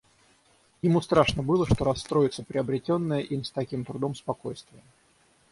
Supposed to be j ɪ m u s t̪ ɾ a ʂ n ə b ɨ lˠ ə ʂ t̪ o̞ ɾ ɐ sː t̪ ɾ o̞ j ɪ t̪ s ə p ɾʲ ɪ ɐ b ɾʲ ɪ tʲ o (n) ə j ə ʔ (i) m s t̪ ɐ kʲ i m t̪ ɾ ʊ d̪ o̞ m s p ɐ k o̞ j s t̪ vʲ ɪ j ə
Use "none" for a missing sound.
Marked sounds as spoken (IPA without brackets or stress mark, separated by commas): nː, i